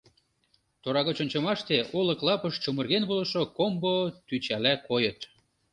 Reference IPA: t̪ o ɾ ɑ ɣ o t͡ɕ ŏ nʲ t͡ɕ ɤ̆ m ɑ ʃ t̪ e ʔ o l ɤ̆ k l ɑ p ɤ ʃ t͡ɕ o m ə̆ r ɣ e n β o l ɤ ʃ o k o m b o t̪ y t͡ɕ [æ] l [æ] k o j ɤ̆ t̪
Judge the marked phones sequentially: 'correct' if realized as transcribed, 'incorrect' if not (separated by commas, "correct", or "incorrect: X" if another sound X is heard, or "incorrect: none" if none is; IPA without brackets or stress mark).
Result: correct, correct